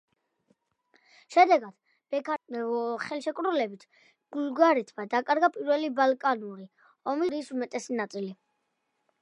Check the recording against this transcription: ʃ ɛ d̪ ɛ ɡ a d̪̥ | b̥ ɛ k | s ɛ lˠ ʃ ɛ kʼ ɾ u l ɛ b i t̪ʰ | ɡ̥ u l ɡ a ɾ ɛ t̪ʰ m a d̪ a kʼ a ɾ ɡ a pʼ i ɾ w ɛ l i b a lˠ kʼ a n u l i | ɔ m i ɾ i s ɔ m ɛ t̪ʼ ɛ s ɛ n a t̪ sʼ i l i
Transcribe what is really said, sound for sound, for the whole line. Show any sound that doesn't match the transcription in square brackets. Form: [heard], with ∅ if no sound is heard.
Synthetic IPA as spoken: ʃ ɛ d̪ ɛ ɡ a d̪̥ | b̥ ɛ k | [χ] ɛ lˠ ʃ ɛ kʼ ɾ u l ɛ b i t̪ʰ | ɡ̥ u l ɡ a ɾ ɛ t̪ʰ m a d̪ a kʼ a ɾ ɡ a pʼ i ɾ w ɛ l i b a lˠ kʼ a n u [ɾ] i | ɔ m i ɾ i s [u] m ɛ t̪ʼ ɛ s [i] n a t̪ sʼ i l i